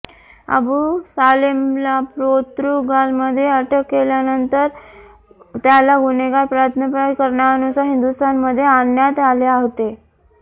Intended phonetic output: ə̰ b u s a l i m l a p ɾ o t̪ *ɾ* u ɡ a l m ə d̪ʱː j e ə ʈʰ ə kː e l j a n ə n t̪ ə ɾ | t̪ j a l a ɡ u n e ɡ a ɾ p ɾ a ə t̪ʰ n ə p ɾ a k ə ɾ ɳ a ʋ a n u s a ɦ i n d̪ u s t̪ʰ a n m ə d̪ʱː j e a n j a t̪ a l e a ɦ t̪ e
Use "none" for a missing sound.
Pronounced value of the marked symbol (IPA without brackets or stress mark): ɾ